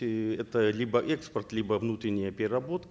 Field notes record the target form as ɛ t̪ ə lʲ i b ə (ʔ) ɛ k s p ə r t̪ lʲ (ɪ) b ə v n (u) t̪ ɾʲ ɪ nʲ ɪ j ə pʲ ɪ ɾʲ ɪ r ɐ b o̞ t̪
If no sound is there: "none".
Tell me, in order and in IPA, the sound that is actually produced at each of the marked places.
ʔ, i, u

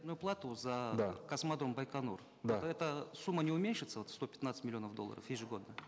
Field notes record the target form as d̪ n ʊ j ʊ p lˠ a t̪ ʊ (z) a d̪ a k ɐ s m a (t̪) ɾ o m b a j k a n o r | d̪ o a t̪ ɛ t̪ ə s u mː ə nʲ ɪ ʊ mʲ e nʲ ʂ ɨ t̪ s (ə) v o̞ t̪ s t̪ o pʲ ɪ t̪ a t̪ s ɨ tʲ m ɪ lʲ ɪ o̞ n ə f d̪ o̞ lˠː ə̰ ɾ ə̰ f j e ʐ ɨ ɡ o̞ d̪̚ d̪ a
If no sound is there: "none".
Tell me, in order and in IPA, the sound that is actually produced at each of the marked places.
z, d̪, ə

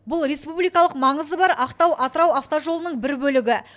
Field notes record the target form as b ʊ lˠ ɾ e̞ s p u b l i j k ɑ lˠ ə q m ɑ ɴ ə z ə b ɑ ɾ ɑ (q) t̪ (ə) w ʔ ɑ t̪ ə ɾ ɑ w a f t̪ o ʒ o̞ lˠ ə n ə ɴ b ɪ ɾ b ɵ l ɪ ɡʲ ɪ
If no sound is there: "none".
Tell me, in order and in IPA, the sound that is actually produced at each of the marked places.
q, ɑ

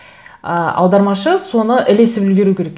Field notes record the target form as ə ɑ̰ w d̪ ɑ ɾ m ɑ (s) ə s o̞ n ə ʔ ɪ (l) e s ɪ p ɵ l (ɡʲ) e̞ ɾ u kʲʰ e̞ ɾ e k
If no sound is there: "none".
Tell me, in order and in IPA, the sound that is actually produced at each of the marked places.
ʃ, l, ɡʲ

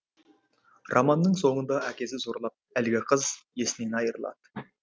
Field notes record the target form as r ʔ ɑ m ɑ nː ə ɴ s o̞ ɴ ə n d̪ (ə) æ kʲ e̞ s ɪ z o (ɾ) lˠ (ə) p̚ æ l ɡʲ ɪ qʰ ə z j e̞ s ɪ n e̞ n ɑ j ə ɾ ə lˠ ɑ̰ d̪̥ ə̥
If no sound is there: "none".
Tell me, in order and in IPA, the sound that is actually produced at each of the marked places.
ɑ, ɾ, ɑ

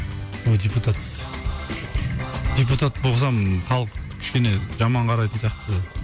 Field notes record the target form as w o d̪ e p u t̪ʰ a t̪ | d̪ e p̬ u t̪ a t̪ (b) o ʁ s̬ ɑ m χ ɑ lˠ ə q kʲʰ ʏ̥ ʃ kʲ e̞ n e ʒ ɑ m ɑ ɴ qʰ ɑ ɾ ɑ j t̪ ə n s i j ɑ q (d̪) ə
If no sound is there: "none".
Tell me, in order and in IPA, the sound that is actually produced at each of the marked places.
b, t̪

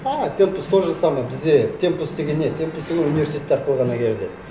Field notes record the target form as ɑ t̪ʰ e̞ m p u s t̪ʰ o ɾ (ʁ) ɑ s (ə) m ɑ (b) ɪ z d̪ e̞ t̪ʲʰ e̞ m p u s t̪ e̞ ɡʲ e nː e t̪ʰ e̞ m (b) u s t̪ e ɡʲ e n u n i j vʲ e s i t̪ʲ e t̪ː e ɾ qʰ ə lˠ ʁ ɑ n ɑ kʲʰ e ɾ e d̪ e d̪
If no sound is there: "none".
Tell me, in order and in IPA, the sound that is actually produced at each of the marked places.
ʒ, ɑ, b, p

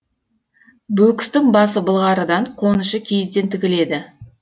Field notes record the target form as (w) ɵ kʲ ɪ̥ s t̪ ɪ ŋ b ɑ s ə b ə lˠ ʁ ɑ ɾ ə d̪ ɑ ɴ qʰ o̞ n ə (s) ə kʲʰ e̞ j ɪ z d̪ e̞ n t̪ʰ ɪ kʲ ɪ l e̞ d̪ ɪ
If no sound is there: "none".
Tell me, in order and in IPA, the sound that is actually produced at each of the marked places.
b, ʃ

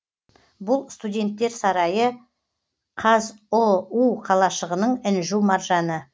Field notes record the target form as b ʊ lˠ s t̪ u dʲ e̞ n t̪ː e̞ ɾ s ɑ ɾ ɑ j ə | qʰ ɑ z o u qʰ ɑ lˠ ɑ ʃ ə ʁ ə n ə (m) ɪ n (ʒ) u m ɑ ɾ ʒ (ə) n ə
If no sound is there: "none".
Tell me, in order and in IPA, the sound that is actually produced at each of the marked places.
ɴ, ʒ, ɑ

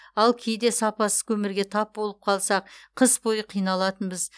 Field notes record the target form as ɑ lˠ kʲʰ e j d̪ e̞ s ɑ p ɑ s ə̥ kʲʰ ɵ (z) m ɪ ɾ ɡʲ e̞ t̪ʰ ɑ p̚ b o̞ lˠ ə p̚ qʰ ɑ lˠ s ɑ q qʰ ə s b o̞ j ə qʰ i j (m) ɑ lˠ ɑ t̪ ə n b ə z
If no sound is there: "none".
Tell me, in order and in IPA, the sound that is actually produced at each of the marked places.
none, n

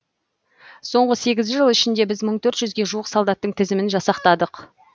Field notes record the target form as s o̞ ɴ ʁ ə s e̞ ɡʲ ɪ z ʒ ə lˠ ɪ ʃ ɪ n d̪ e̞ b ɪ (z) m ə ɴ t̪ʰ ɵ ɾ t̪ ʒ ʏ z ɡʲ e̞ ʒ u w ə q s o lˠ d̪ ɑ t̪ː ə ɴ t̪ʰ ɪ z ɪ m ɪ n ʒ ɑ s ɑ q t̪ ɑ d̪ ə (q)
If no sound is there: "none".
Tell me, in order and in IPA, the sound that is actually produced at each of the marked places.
z, q

